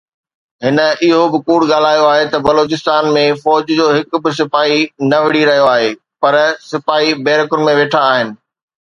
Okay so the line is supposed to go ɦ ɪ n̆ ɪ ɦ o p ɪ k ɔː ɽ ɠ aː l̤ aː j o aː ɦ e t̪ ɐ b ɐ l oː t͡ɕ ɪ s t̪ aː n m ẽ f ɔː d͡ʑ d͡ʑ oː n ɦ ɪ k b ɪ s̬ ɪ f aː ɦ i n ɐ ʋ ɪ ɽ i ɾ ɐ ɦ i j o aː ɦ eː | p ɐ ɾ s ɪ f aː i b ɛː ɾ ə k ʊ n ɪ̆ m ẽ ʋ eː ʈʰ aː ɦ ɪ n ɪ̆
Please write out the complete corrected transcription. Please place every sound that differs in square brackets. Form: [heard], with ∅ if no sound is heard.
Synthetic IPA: ɦ ɪ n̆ ɪ ɦ o [b] ɪ k [uː] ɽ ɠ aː l̤ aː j o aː ɦ e t̪ ɐ b ɐ l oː t͡ɕ ɪ s t̪ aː n m ẽ f ɔː d͡ʑ d͡ʑ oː [∅] ɦ ɪ k b ɪ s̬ ɪ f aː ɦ i n ɐ ʋ ɪ ɽ i ɾ ɐ ɦ i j o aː ɦ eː | p ɐ ɾ s ɪ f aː i b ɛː ɾ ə k ʊ n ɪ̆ m ẽ ʋ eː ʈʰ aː ɦ ɪ n ɪ̆

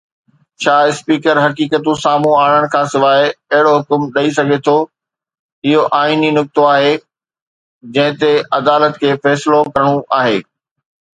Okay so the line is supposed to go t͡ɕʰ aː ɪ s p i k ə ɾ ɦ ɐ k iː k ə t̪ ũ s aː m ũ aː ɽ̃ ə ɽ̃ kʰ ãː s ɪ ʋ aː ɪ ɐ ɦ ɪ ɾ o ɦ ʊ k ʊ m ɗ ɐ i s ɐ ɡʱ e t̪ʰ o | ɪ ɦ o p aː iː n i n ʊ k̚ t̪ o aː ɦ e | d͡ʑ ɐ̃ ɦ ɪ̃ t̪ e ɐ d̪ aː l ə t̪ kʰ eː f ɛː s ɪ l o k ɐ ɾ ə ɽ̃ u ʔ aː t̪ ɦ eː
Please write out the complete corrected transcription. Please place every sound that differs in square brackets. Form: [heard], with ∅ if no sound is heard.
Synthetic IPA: t͡ɕʰ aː ɪ s p [iː] k ə ɾ ɦ ɐ k iː k ə t̪ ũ s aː m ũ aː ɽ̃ ə ɽ̃ kʰ ãː s ɪ ʋ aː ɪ ɐ ɦ ɪ [ɽ] o ɦ ʊ k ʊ m ɗ ɐ i s ɐ ɡʱ e t̪ʰ o | ɪ ɦ o [ʔ] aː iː n i n ʊ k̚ t̪ o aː ɦ e | d͡ʑ ɐ̃ ɦ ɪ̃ t̪ e ɐ d̪ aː l ə t̪ kʰ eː f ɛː s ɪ l o k ɐ ɾ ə ɽ̃ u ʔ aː [∅] ɦ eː

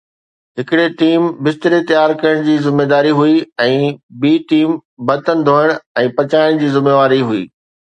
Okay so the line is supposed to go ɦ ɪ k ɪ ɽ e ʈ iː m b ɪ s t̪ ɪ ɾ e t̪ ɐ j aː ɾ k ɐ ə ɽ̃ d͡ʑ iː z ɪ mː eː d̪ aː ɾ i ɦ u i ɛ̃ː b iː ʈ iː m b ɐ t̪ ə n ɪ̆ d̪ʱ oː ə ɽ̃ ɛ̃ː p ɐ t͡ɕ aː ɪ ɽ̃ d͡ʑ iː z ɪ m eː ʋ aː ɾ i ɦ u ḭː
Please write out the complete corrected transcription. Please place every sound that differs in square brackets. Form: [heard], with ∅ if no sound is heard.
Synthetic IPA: ɦ ɪ k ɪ ɽ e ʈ iː m b ɪ s t̪ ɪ ɾ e t̪ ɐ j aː ɾ k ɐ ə ɽ̃ d͡ʑ iː z ɪ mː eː d̪ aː ɾ i ɦ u i ɛ̃ː b iː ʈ iː m b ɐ t̪ ə n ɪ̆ d̪ʱ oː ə ɽ̃ ɛ̃ː p ɐ t͡ɕ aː ɪ ɽ̃ d͡ʑ iː z ɪ m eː ʋ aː ɾ i ɦ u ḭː

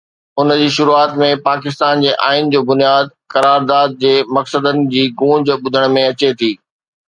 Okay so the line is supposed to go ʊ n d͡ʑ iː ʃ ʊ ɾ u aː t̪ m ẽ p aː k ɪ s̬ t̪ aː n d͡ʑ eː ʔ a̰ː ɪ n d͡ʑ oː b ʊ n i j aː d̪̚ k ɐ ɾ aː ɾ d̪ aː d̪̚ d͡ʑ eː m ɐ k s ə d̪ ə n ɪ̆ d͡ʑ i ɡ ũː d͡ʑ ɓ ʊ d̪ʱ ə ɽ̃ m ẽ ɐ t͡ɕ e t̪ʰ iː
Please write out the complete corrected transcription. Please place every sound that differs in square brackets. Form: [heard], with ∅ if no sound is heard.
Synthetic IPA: ʊ n d͡ʑ iː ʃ ʊ ɾ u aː t̪ m ẽ p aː k ɪ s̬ t̪ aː n d͡ʑ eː ʔ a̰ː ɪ n d͡ʑ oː b ʊ n i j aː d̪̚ k ɐ ɾ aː ɾ d̪ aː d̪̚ d͡ʑ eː m ɐ k s ə d̪ ə n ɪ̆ d͡ʑ [iː] ɡ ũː d͡ʑ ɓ ʊ d̪ʱ ə ɽ̃ m ẽ ɐ t͡ɕ e t̪ʰ iː

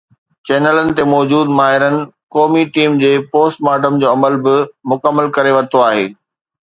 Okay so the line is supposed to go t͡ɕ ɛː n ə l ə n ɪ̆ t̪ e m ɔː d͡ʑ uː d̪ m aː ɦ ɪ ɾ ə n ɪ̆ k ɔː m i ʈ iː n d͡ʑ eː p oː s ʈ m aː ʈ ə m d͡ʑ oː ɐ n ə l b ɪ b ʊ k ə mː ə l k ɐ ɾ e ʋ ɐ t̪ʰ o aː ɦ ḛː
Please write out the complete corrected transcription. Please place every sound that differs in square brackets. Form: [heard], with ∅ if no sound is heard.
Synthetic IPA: t͡ɕ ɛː n ə l ə n ɪ̆ t̪ e m ɔː d͡ʑ uː d̪ m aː ɦ ɪ ɾ ə n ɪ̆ k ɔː m i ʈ iː [m] d͡ʑ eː p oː s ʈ m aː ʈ ə m d͡ʑ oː ɐ [m] ə l b ɪ [m] ʊ k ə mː ə l k ɐ ɾ e ʋ ɐ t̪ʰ o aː ɦ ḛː

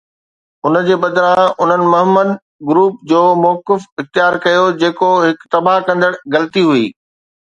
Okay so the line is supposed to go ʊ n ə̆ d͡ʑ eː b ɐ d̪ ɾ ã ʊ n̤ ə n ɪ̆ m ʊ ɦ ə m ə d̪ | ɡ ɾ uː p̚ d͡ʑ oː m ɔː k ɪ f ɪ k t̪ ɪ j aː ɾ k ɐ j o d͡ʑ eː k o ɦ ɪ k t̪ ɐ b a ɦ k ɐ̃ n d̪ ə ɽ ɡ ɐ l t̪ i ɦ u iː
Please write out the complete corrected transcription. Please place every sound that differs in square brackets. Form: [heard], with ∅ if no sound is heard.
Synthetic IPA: ʊ n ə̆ d͡ʑ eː b ɐ d̪ ɾ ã ʊ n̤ ə n ɪ̆ m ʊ ɦ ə m ə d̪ | ɡ ɾ uː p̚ d͡ʑ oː m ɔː k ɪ f ɪ [x] t̪ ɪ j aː ɾ k ɐ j o d͡ʑ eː k o ɦ ɪ k t̪ ɐ b a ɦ k ɐ̃ n d̪ ə ɽ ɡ ɐ l t̪ i ɦ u iː

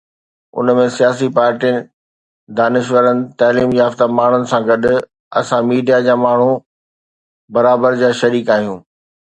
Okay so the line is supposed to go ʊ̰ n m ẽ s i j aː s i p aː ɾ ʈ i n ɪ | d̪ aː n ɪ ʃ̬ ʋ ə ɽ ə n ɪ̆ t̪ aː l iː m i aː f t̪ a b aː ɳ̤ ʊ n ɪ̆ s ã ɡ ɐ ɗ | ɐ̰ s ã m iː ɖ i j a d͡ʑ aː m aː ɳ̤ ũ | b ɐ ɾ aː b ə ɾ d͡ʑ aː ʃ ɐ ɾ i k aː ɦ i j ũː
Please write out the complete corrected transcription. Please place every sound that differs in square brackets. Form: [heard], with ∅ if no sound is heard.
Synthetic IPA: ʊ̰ n m ẽ s i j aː s i p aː ɾ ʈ i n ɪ | d̪ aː n ɪ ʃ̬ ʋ ə [ɾ] ə n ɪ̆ t̪ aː l iː m [j] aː f t̪ a [m] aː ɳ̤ ʊ n ɪ̆ s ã ɡ ɐ ɗ | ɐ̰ s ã m iː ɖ i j a d͡ʑ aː m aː ɳ̤ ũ | b ɐ ɾ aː b ə ɾ d͡ʑ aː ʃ ɐ ɾ [iː] k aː ɦ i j ũː

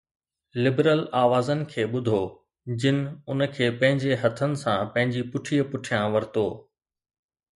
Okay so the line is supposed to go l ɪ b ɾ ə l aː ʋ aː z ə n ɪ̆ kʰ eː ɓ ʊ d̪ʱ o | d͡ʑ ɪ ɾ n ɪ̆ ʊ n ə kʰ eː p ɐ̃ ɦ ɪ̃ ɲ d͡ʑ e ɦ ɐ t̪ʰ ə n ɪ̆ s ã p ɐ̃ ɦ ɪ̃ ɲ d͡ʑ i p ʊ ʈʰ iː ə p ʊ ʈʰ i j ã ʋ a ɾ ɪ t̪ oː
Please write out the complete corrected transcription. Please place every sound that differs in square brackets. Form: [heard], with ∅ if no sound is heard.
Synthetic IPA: l ɪ b ɾ ə l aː ʋ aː z ə n ɪ̆ kʰ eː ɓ ʊ d̪ʱ o | d͡ʑ ɪ [∅] n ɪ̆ ʊ n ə kʰ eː p ɐ̃ ɦ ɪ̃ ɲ d͡ʑ e ɦ ɐ t̪ʰ ə n ɪ̆ s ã p ɐ̃ ɦ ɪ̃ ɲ d͡ʑ i p ʊ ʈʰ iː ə p ʊ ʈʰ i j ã ʋ [ɐ] ɾ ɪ t̪ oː

